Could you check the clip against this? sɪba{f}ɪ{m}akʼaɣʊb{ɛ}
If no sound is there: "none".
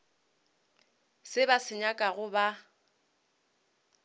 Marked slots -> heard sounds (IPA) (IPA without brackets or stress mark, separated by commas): s, ɲ, a